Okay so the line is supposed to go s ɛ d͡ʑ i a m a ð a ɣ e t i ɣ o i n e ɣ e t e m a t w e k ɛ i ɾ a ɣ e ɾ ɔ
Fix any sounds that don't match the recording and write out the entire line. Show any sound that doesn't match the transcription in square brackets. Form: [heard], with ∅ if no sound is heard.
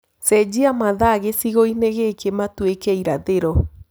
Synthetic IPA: s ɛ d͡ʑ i a m a ð a ɣ e [s] i ɣ o i n e ɣ e [k] e m a t w e k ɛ i ɾ a [ð] e ɾ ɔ